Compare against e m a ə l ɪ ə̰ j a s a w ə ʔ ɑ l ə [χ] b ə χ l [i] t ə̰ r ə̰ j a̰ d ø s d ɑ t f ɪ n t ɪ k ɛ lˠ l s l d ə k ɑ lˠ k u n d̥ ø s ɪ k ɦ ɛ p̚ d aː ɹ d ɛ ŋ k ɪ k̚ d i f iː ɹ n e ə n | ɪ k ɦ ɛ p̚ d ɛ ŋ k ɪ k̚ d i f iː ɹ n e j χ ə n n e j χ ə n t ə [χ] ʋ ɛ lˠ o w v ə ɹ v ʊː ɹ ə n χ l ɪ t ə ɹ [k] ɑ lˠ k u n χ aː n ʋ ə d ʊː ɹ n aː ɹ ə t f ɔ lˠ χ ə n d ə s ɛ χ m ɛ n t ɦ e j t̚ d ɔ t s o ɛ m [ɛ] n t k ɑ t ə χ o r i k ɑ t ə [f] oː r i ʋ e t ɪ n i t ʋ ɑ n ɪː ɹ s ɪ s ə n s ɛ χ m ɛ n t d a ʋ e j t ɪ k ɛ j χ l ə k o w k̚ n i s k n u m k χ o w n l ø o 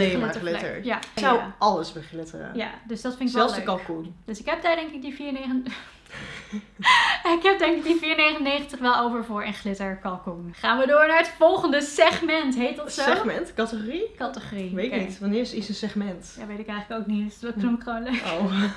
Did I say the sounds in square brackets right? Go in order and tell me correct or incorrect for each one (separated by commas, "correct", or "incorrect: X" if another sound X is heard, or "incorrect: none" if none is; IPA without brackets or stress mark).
incorrect: s, incorrect: ɪ, correct, correct, correct, incorrect: χ